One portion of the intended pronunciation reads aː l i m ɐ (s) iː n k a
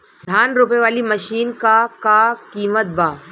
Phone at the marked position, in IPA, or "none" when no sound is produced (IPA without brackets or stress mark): ʃ